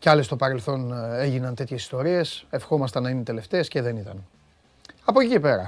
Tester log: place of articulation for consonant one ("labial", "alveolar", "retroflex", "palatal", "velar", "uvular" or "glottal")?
palatal